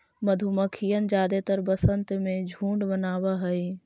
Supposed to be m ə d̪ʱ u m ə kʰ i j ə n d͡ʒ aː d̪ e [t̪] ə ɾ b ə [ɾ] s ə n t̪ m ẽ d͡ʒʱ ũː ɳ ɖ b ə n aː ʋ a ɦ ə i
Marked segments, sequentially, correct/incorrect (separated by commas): correct, incorrect